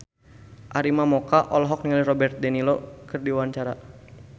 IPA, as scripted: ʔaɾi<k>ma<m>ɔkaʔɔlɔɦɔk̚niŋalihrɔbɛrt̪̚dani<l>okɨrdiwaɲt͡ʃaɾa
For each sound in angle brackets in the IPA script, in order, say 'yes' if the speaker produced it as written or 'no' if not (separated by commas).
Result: no, yes, yes